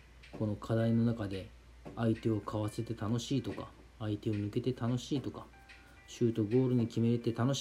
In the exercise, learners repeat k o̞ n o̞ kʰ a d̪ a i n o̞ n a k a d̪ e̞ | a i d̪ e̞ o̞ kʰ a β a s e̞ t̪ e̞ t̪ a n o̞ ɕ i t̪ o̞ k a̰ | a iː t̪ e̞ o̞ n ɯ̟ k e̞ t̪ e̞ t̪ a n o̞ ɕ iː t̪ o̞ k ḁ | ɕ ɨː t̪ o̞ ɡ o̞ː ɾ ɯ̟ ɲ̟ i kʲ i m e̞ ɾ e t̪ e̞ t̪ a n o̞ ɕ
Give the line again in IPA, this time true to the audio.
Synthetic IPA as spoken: k o̞ n o̞ kʰ a d̪ a i n o̞ n a k a d̪ e̞ | a i t̪ e̞ o̞ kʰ a β a s e̞ t̪ e̞ t̪ a n o̞ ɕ iː t̪ o̞ k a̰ | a i t̪ e̞ o̞ n ɯ̟ k e̞ t̪ e̞ t̪ a n o̞ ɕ iː t̪ o̞ k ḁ | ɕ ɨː t̪ o̞ ɡ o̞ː ɾ ɯ̟ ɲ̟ i kʲ i m e̞ ɾ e t̪ e̞ t̪ a n o̞ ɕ